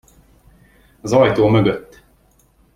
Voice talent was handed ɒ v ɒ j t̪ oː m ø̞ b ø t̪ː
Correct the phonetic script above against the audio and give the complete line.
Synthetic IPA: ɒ z ɒ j t̪ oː m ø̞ ɡ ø t̪ː